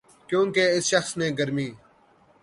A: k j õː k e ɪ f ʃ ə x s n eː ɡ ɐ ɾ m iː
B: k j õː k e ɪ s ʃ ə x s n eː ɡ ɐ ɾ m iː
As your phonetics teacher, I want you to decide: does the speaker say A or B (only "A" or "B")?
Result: B